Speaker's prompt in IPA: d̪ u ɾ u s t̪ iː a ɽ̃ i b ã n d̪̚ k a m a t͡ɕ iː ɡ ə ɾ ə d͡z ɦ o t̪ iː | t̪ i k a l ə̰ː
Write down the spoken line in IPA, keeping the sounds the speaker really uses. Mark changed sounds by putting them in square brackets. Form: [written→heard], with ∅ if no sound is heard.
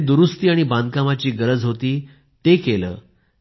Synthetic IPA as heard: d̪ u ɾ u s t̪ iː a ɽ̃ i b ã n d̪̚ k a m a t͡ɕ iː ɡ ə ɾ ə d͡z ɦ o t̪ iː | t̪ [i→e] k [a→e] l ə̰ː